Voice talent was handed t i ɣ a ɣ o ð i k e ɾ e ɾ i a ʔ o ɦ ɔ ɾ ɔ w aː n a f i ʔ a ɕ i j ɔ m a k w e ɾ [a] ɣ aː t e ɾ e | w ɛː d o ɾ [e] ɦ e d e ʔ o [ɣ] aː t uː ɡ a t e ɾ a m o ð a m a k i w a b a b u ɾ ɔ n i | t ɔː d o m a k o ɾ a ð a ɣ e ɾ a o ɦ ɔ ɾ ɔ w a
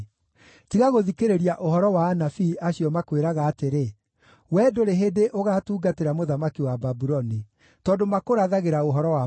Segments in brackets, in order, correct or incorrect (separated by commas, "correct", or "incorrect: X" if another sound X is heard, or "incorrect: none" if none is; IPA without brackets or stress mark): correct, correct, correct